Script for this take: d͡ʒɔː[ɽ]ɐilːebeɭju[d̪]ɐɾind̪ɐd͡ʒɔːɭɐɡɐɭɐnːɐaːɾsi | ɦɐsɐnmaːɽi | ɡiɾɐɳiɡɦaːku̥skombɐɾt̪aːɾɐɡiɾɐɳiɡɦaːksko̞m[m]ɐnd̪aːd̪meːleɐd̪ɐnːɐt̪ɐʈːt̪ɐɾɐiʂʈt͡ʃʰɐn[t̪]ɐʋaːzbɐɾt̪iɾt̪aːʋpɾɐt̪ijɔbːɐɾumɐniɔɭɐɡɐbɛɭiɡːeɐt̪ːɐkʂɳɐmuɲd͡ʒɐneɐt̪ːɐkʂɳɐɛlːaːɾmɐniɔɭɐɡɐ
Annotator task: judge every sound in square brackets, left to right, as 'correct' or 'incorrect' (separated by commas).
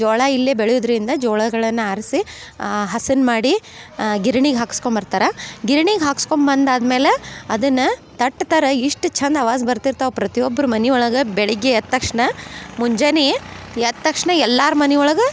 incorrect, correct, incorrect, incorrect